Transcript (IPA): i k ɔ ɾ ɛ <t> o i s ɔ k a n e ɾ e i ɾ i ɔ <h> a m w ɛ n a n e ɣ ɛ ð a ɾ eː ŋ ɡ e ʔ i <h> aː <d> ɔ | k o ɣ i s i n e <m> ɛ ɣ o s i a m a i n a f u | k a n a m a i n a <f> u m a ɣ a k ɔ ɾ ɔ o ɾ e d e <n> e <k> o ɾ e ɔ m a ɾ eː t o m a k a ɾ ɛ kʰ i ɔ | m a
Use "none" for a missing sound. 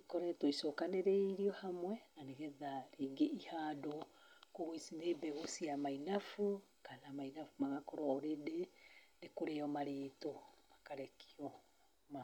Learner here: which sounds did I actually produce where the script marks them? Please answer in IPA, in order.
t, h, h, d, b, f, n, k

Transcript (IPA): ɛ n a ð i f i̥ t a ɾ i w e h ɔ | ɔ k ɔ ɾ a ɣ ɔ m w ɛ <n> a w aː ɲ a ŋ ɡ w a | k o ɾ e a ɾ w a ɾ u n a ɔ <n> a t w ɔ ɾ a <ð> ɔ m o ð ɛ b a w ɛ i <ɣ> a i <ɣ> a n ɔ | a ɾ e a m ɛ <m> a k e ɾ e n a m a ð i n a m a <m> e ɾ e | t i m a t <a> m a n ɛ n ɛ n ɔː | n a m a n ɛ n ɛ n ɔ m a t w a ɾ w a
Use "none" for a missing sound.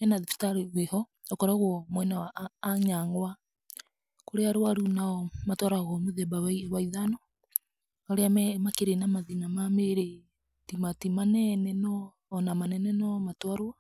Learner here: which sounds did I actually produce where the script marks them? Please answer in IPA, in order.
n, m, ɣ, w, ð, m, m, i

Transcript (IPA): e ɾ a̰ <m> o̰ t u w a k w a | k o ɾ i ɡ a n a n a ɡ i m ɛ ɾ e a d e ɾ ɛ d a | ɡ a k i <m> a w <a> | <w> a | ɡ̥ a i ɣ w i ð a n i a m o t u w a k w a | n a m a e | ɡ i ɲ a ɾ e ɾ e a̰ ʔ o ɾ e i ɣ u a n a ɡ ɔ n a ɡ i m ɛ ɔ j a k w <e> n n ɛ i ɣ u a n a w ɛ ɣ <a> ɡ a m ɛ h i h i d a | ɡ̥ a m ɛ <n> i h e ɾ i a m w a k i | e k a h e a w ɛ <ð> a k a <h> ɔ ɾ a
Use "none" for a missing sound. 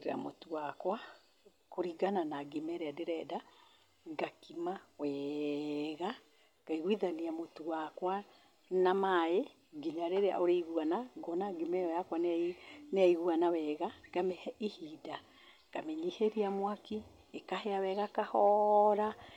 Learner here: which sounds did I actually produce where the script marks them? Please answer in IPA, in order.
m, m, ɛ, ɣ, a, a, ɲ, ɣ, h

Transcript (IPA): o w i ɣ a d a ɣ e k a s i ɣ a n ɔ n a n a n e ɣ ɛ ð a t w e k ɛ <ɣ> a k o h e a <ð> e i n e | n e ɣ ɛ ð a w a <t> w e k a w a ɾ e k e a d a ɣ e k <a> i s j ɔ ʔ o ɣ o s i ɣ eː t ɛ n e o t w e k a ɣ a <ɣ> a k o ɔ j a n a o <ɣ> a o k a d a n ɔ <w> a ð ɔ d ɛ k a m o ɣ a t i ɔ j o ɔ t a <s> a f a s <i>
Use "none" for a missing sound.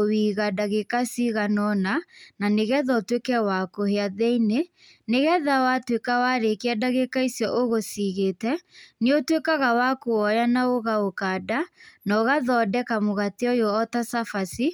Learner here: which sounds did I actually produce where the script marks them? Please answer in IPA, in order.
w, ð, t, a, w, ɣ, ɣ, s, i

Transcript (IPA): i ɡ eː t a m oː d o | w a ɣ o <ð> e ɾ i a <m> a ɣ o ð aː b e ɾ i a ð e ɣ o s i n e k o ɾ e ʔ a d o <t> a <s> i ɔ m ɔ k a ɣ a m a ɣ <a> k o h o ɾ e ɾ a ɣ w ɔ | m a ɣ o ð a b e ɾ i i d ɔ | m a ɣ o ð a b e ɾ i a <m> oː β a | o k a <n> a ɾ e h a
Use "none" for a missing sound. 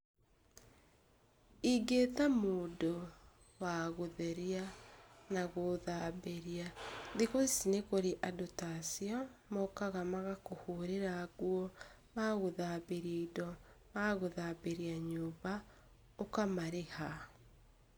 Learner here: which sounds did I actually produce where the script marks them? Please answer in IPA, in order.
ð, n, t, s, a, ɲ, m

